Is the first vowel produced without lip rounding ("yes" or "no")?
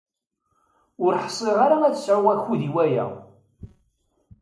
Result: no